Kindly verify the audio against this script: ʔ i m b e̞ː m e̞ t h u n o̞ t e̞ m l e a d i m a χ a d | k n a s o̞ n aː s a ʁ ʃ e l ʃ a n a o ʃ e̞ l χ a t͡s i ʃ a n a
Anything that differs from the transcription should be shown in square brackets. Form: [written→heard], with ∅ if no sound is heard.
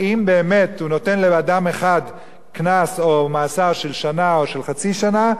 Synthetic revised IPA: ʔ i m b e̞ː m e̞ t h u n o̞ t e̞ [m→n] l e a d [i→a] m [a→e] χ a d | k n a s o̞ [n→m] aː s a ʁ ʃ e l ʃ a n a o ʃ e̞ l χ a t͡s i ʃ a n a